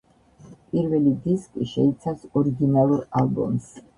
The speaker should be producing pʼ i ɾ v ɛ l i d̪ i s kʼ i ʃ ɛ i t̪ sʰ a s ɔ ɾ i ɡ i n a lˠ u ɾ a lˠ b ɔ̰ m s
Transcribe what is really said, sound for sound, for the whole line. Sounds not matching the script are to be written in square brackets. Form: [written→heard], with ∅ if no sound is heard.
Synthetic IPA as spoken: pʼ i ɾ v ɛ l i d̪ i s kʼ i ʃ ɛ i t̪ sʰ a s ɔ ɾ i ɡ i n a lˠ u ɾ a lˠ b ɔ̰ m s